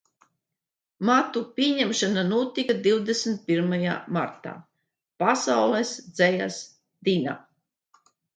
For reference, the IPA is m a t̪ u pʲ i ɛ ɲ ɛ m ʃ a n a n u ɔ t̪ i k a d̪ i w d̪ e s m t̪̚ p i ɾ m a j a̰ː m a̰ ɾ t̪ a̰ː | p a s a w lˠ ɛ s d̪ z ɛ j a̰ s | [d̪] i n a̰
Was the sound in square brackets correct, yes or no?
yes